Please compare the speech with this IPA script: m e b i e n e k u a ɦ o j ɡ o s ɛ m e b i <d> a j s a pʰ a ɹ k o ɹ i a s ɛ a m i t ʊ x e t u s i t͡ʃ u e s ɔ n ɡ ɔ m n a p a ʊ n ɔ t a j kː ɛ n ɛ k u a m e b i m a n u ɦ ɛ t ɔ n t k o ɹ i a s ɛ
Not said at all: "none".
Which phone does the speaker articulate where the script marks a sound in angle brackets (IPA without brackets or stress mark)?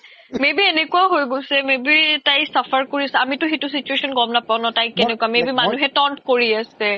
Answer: t